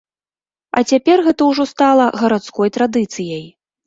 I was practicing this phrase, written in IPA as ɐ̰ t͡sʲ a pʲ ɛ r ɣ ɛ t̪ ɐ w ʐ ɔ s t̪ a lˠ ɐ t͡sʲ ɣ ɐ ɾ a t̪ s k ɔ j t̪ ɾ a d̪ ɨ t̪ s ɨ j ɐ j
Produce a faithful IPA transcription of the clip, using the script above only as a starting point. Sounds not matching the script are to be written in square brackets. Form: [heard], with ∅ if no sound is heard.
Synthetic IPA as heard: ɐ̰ t͡sʲ a pʲ ɛ r ɣ ɛ t̪ ɐ w ʐ ɔ s t̪ a lˠ ɐ [∅] ɣ ɐ ɾ a t̪ s k ɔ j t̪ ɾ a d̪ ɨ t̪ s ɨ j ɐ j